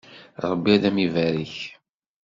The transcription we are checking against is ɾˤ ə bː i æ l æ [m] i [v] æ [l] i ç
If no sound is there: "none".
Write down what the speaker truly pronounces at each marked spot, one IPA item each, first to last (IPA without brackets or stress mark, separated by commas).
m, v, ɾ